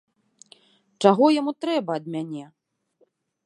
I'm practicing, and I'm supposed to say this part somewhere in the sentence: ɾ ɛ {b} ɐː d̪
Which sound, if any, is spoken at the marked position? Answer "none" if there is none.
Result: b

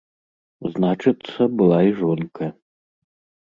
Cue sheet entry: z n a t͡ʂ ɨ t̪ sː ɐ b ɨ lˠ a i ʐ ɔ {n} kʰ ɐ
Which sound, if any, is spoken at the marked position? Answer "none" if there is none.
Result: n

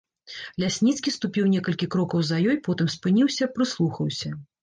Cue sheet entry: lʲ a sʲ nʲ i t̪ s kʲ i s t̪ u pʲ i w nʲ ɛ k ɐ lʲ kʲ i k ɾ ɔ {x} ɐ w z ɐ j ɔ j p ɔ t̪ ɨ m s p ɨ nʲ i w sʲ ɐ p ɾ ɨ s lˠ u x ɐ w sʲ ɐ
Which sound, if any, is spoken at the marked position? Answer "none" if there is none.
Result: k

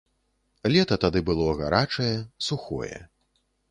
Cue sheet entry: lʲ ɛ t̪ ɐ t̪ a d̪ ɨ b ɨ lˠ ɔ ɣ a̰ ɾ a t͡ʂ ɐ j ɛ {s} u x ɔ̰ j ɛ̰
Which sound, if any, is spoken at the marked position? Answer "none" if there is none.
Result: s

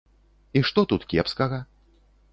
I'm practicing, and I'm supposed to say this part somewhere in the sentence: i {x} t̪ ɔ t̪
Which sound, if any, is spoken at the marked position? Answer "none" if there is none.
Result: ʂ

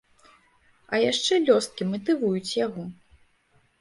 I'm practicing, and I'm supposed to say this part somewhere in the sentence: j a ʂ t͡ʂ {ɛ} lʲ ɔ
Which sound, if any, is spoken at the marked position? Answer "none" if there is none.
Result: ɛ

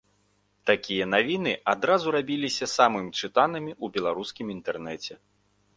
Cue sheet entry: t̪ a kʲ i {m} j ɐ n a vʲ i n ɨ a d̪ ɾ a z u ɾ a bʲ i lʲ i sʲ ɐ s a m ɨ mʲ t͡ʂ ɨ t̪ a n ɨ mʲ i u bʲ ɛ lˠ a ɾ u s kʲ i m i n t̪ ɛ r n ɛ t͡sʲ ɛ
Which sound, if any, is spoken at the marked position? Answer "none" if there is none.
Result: none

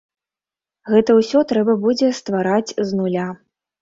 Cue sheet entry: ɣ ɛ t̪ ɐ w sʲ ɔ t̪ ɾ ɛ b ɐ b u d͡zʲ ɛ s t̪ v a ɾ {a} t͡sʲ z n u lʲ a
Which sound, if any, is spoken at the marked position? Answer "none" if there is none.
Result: a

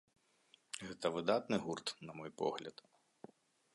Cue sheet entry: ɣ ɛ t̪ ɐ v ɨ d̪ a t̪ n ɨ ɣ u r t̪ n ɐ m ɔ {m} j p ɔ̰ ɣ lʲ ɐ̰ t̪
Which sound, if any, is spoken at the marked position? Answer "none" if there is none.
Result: none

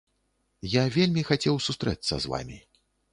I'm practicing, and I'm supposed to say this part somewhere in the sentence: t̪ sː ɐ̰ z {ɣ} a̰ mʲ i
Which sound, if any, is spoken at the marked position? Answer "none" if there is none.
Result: v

